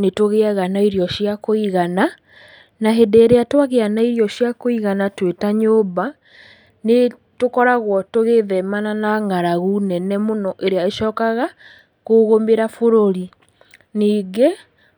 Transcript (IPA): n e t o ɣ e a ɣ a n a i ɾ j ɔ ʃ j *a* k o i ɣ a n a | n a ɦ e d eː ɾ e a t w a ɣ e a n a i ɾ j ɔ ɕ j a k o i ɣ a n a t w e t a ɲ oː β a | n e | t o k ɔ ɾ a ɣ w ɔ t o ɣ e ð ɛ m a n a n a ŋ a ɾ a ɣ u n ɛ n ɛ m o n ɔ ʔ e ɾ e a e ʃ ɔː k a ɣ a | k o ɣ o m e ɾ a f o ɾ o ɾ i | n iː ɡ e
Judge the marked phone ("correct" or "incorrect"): correct